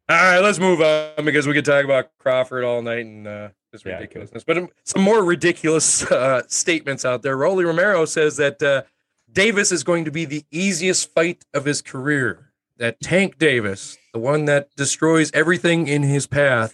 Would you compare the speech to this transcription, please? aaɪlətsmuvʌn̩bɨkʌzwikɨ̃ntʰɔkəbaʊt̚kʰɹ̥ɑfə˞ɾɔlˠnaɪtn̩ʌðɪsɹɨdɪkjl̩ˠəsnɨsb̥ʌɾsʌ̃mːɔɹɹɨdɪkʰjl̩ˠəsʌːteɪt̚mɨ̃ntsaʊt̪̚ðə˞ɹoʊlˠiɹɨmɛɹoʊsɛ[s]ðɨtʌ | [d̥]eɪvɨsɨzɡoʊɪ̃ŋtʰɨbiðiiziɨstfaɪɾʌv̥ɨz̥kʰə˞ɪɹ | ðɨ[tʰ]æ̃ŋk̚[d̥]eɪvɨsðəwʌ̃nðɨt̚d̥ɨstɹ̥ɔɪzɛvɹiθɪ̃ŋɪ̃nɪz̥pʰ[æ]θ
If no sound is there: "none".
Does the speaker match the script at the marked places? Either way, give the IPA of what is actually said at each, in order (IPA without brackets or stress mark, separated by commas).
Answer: z, d̥, tʰ, d̥, æ